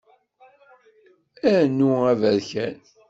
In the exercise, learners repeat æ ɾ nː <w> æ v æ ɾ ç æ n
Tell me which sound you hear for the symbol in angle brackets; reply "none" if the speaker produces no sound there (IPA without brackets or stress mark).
u